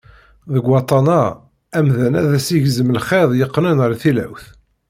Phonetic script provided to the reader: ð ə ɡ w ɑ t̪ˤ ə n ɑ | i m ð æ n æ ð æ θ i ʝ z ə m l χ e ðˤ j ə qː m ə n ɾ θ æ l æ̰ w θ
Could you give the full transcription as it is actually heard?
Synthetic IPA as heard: ð ə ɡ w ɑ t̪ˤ ɑ n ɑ | æ m ð æ n æ ð æ s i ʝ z ə m l χ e ðˤ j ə qː n ə n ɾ θ i l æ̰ w θ